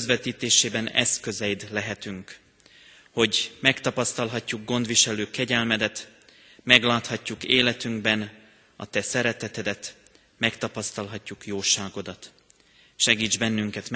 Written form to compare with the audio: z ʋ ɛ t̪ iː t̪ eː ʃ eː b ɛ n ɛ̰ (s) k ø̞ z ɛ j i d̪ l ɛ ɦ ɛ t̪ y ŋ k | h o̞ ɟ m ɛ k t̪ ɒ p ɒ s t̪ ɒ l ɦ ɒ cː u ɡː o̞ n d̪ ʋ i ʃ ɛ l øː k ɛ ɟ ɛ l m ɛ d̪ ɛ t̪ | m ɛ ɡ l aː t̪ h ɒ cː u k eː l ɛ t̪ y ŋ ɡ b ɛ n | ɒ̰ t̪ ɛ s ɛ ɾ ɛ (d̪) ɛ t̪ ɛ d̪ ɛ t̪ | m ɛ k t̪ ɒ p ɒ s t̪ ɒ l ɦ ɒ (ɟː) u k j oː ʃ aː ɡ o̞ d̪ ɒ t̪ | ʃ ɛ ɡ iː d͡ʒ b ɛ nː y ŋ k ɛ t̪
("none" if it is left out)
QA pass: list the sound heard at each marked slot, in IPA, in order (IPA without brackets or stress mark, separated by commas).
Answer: s, t̪, cː